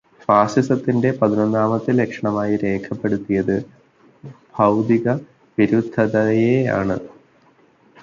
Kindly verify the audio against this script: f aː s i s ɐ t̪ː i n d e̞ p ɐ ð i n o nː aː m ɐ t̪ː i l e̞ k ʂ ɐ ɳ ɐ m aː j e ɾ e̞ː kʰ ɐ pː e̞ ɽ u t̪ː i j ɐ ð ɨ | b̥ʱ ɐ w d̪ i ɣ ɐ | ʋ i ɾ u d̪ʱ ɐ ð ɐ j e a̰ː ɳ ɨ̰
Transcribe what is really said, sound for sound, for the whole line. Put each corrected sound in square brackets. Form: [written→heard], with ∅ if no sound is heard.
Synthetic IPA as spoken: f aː s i s ɐ t̪ː i n d e̞ p ɐ ð i n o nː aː m ɐ t̪ː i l e̞ k ʂ ɐ ɳ ɐ m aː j [e→i] ɾ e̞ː kʰ ɐ pː e̞ ɽ u t̪ː i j ɐ ð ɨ | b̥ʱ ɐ w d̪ i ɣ ɐ | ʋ i ɾ u d̪ʱ ɐ ð ɐ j e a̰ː ɳ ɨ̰